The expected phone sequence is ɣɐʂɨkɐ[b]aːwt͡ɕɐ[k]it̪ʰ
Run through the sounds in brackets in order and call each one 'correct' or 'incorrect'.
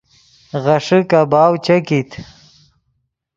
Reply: correct, correct

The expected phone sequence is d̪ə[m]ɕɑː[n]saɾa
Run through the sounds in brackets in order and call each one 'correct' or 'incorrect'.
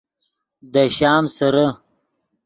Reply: incorrect: none, incorrect: m

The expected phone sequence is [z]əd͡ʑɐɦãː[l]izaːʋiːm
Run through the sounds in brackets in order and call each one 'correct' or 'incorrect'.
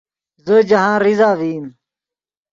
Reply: correct, incorrect: ɾ

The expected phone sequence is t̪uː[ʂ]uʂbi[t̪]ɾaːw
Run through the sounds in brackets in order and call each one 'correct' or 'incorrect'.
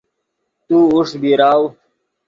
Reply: incorrect: none, incorrect: none

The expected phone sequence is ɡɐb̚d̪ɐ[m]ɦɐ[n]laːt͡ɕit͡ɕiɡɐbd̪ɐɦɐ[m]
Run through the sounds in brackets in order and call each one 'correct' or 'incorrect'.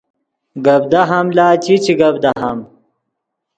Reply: incorrect: none, incorrect: m, correct

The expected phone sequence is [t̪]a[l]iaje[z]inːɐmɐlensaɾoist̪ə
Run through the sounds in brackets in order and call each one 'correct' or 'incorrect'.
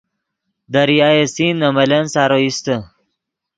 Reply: incorrect: d̪, incorrect: ɾ, incorrect: s

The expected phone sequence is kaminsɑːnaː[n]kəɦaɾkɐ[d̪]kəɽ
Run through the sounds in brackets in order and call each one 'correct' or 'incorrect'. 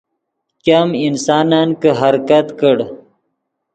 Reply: correct, incorrect: t̪

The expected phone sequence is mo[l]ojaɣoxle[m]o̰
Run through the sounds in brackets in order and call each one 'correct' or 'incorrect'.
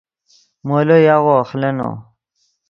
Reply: correct, incorrect: n

